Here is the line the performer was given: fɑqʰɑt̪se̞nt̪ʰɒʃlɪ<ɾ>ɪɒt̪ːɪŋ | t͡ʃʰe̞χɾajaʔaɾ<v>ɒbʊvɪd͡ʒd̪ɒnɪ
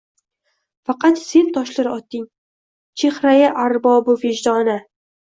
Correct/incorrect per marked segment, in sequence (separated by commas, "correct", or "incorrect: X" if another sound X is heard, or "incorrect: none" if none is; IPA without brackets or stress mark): correct, incorrect: b